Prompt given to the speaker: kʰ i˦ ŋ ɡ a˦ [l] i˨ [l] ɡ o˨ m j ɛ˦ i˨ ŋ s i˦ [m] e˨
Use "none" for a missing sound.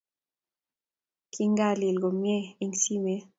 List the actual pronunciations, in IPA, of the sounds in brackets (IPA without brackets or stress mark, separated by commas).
l, l, m